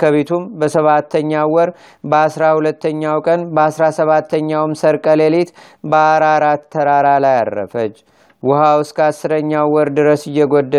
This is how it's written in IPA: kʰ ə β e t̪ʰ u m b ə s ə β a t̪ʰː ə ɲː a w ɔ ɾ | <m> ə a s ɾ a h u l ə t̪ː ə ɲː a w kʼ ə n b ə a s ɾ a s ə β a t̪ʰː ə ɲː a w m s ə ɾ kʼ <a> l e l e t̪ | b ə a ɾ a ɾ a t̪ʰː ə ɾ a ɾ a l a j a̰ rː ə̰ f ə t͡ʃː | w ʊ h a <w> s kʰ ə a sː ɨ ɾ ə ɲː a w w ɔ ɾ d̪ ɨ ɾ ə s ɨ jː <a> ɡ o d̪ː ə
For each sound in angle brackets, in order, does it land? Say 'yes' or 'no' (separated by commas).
no, no, yes, no